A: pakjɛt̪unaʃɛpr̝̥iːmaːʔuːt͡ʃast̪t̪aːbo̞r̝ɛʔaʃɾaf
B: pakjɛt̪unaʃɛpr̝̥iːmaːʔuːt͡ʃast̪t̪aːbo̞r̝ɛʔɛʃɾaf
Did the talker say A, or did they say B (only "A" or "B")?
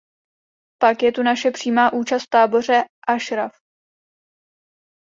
A